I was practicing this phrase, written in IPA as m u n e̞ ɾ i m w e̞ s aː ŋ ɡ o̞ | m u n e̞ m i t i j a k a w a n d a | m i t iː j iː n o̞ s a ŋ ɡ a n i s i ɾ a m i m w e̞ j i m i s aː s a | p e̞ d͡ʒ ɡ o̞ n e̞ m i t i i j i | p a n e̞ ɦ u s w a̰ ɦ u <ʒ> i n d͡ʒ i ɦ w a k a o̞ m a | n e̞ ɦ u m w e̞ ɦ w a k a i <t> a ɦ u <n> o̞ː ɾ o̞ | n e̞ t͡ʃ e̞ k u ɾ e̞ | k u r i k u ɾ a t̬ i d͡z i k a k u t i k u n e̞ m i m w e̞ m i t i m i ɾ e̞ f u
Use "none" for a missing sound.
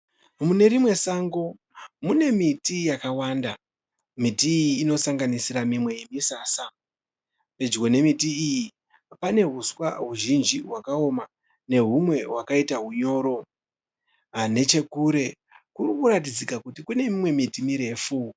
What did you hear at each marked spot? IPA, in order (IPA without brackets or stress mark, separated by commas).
ʒ, t, ɲ